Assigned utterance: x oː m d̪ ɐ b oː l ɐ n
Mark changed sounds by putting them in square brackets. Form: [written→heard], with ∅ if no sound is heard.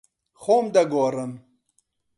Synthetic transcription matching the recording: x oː m d̪ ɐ [b→ɡ] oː [l→ɾ] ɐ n

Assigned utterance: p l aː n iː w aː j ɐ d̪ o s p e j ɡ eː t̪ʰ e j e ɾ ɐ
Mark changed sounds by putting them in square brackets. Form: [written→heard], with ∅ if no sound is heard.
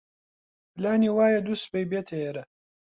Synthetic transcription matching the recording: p l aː n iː w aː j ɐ d̪ [o→u] s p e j [ɡ→b] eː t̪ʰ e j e ɾ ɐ

